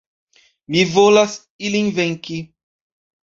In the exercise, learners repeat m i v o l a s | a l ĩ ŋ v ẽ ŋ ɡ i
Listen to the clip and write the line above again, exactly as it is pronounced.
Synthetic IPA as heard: m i v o l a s | i l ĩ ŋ v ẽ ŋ k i